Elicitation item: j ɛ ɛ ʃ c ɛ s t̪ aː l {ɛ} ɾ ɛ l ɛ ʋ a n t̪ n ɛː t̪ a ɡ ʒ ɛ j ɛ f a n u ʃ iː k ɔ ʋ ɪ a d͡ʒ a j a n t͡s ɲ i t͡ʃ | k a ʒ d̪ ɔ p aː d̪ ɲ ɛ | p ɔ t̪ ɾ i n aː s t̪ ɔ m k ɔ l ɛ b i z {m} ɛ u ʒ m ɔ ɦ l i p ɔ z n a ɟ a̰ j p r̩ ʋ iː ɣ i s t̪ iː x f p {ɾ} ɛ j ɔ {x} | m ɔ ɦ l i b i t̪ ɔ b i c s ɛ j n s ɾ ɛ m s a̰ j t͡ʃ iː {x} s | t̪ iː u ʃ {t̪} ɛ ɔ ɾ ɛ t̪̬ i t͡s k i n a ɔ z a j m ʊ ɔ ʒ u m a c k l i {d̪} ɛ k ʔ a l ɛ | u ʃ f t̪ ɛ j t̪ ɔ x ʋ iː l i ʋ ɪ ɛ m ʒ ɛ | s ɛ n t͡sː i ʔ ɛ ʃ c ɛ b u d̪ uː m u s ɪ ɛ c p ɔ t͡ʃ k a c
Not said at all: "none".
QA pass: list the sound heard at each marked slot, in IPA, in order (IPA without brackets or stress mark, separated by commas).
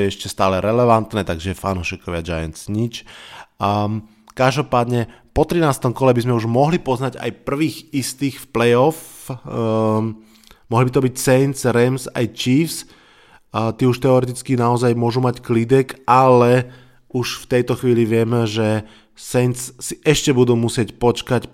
ɛ, m, l, f, f, t̪, d̪